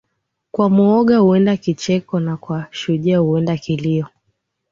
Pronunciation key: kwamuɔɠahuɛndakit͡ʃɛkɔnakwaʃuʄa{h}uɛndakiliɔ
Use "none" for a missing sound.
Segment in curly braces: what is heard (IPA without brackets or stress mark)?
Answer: h